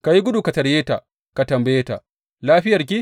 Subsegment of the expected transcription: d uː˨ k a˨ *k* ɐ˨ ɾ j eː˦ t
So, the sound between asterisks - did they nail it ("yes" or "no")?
no